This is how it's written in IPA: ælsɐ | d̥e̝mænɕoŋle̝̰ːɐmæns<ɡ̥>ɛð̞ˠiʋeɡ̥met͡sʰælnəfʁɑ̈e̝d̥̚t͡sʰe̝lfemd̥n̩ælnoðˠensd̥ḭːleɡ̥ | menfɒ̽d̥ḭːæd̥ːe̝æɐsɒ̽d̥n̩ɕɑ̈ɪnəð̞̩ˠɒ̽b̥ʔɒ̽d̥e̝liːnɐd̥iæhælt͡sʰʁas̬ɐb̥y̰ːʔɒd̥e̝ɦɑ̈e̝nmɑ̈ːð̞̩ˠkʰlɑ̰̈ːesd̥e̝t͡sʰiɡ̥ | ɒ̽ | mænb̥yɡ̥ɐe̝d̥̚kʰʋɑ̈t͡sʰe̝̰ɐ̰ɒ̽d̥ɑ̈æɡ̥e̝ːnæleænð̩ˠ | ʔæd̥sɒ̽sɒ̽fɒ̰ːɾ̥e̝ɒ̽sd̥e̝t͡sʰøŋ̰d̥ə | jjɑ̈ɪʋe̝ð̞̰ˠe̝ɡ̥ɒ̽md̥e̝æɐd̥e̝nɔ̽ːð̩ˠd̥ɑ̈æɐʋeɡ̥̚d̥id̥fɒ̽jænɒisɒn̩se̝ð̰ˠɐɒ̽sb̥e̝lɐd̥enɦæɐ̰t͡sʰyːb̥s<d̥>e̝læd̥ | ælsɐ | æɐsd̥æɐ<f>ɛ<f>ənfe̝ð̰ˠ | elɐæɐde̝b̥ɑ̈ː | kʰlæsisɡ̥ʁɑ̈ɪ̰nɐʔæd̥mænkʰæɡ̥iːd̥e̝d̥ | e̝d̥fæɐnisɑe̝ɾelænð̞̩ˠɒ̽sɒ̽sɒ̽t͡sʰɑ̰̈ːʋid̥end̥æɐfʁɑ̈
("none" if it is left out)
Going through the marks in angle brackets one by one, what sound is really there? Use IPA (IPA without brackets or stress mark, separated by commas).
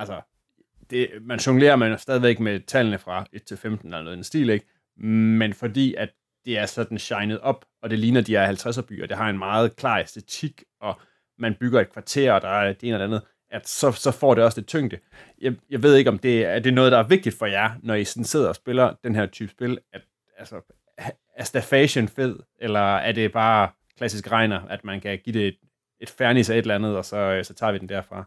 d̥, b̥, f, ɕ